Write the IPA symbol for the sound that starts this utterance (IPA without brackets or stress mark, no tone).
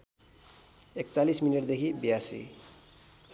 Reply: e